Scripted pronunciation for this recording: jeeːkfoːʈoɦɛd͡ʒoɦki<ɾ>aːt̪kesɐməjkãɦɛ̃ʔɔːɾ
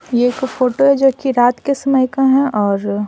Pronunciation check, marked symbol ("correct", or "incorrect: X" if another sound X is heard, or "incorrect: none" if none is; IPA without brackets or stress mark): correct